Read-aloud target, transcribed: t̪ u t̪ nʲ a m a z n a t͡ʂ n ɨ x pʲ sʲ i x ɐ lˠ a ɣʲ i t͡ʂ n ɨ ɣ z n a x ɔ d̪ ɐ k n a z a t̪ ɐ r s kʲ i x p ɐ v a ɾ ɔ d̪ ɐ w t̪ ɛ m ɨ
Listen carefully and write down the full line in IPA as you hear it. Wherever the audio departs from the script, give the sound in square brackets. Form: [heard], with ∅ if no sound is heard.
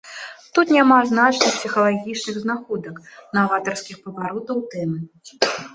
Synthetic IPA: t̪ u t̪ nʲ a m a z n a t͡ʂ n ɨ x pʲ sʲ i x ɐ lˠ a ɣʲ i t͡ʂ n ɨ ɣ z n a x ɔ d̪ ɐ k n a [v] a t̪ ɐ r s kʲ i x p ɐ v a ɾ ɔ [t̪] ɐ w t̪ ɛ m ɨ